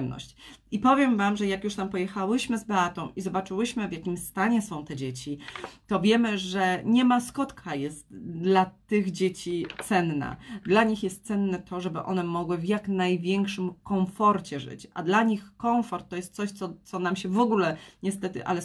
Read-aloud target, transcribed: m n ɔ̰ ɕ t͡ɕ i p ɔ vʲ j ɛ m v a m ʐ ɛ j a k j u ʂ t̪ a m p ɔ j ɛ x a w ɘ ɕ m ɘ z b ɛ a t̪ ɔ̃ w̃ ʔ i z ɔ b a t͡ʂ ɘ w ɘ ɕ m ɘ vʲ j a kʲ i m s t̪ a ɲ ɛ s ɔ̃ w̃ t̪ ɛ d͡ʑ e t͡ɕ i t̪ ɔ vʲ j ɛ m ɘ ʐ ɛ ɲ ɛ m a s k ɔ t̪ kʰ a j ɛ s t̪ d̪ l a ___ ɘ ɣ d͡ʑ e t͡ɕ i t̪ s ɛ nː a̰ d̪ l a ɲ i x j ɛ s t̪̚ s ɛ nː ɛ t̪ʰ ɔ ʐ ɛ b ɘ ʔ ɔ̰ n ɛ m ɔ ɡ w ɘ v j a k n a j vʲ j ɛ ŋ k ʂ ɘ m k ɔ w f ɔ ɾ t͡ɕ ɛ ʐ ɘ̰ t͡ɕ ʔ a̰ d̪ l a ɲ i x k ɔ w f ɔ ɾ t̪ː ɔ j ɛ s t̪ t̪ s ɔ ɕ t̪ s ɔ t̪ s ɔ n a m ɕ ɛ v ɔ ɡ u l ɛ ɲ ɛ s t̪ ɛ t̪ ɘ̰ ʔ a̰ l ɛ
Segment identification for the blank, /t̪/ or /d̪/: t̪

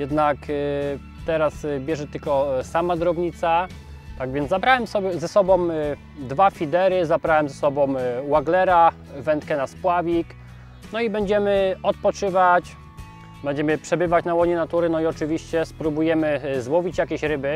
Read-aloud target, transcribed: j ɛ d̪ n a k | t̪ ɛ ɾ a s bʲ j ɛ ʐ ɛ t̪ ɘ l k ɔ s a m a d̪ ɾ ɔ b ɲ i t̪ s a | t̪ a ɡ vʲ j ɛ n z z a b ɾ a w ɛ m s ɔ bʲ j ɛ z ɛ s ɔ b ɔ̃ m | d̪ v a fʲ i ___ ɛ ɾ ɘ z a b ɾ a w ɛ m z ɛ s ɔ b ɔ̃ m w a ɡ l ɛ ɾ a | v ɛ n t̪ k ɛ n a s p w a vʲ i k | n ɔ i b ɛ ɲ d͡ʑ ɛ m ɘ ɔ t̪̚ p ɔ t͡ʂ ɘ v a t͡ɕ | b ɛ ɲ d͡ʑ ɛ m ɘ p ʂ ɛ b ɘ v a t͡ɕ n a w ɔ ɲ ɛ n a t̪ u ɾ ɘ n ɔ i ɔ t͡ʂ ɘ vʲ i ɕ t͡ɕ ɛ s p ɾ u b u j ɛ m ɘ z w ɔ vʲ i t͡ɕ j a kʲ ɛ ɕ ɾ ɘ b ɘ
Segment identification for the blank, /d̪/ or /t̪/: d̪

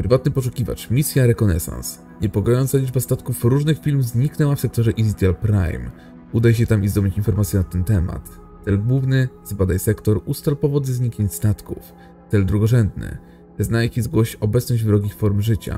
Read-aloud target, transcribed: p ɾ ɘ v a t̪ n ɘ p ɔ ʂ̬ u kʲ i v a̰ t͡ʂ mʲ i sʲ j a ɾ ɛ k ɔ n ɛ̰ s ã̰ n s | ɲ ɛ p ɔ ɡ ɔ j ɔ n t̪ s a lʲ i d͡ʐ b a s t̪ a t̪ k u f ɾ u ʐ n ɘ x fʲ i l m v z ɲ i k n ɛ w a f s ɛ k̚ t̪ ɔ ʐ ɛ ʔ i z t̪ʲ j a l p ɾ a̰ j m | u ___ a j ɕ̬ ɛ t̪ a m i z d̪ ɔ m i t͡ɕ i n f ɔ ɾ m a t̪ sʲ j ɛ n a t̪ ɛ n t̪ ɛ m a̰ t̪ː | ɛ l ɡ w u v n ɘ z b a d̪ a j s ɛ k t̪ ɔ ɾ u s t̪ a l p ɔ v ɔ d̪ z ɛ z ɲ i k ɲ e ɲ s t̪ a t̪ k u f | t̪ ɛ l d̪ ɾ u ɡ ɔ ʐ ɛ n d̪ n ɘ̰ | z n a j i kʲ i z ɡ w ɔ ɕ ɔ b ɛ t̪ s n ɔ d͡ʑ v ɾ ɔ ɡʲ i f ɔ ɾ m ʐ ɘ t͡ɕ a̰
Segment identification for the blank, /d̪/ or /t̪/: d̪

